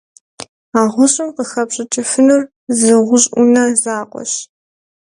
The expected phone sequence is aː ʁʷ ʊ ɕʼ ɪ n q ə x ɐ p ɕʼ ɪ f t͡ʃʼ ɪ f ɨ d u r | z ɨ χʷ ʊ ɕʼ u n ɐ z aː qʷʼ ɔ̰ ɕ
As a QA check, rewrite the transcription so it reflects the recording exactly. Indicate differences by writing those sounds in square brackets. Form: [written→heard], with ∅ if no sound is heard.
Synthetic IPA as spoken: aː ʁʷ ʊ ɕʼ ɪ [n→m] q ə x ɐ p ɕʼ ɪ [f→∅] t͡ʃʼ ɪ f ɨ [d→n] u r | z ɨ [χʷ→ʁʷ] ʊ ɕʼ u n ɐ z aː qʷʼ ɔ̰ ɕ